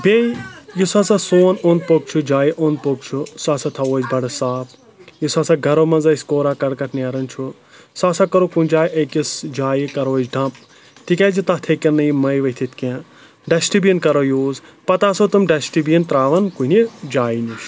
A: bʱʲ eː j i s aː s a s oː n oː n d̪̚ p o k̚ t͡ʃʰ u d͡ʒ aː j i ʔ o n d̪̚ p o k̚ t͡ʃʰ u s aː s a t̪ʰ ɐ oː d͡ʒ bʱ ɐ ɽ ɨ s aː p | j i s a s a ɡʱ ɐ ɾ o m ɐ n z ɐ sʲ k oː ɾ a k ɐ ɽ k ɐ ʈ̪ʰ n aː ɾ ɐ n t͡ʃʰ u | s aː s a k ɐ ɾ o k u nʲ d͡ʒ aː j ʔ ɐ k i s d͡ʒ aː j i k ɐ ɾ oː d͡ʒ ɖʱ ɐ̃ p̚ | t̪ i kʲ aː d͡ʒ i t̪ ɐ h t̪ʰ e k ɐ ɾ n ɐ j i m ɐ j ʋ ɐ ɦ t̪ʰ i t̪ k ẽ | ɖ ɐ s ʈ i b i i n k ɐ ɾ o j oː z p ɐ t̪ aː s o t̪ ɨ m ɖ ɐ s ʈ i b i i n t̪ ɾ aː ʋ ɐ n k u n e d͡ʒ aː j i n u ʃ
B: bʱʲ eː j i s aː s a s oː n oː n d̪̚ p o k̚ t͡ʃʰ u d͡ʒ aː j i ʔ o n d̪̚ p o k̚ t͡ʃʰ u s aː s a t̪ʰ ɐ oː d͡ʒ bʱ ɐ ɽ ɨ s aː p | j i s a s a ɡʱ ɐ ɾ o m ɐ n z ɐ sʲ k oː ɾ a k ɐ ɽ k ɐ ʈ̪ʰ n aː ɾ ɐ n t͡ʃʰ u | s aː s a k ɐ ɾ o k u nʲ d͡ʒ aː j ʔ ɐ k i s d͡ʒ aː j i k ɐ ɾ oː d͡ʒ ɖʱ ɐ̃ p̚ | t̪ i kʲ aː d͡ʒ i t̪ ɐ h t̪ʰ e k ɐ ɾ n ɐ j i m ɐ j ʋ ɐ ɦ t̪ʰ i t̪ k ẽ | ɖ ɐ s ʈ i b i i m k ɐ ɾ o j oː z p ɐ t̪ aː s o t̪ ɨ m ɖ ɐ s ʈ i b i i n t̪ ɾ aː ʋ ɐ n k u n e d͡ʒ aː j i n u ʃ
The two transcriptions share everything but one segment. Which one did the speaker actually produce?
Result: A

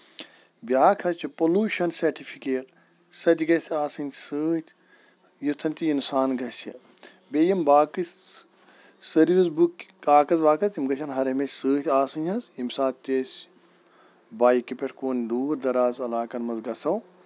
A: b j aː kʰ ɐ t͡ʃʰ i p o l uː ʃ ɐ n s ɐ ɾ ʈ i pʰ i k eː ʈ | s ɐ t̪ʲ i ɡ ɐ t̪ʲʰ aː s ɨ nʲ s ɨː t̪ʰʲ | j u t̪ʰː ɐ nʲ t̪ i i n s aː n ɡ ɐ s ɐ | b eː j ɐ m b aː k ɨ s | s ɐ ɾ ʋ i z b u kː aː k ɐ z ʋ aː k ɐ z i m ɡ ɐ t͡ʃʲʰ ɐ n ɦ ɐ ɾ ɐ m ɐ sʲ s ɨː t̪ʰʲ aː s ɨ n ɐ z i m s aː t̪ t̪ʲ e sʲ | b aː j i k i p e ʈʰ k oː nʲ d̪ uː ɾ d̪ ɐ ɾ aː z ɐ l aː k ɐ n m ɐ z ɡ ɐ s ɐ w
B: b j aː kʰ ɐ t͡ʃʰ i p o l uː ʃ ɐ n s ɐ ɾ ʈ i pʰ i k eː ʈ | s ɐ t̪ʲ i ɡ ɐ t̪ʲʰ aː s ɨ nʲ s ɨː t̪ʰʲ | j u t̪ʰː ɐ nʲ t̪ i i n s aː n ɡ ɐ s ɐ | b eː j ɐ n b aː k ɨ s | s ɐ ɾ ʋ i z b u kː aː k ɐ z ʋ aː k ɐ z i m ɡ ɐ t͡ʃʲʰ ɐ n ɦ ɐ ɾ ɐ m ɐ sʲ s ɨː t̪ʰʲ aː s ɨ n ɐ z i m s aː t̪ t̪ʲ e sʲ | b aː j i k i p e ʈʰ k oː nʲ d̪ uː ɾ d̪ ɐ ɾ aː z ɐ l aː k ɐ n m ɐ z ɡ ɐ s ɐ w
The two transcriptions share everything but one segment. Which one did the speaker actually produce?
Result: A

